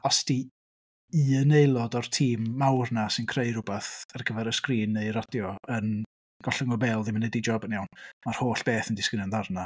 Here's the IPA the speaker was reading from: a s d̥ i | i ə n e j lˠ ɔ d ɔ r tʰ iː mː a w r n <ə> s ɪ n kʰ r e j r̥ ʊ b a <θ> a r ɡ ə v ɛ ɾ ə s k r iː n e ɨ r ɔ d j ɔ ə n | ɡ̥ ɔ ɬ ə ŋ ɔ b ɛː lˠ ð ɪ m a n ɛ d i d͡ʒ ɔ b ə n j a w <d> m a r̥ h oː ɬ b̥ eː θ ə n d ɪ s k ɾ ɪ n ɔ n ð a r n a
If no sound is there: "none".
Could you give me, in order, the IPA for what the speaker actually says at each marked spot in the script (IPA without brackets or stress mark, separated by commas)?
a, θ, n